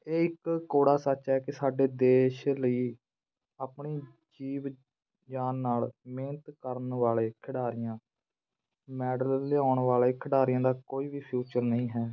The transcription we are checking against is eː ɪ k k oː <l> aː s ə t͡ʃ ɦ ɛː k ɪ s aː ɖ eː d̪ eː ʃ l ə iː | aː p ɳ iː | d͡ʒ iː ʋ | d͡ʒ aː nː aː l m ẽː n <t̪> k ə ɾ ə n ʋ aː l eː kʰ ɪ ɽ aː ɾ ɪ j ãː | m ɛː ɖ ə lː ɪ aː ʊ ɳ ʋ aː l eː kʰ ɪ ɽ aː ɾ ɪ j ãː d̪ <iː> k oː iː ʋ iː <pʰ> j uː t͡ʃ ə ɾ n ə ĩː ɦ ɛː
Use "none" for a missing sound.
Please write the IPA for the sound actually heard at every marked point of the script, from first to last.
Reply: ɽ, t̪, aː, pʰ

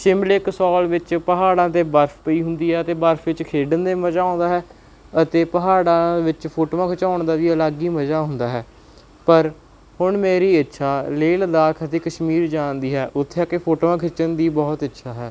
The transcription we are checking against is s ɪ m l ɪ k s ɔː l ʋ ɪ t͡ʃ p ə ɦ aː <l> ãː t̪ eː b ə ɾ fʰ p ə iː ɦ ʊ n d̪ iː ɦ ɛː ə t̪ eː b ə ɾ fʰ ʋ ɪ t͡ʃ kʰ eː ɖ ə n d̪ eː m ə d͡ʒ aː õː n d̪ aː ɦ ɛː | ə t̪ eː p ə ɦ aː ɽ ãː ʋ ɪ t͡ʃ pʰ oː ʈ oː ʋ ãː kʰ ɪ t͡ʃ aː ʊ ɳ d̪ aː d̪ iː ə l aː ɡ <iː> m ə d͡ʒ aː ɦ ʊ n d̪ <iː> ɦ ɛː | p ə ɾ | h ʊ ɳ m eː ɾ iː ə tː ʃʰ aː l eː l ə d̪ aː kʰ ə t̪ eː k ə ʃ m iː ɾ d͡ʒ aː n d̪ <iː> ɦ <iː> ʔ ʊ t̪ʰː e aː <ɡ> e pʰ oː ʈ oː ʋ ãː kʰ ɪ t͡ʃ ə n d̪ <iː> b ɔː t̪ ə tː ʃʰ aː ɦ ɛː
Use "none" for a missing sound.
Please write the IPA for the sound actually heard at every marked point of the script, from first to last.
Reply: ɽ, iː, aː, iː, ɛː, k, iː

